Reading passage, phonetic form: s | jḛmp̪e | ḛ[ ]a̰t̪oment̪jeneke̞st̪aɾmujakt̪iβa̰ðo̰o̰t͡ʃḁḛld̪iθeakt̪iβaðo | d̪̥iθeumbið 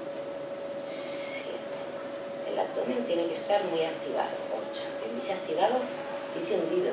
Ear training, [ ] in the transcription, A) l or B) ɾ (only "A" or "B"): A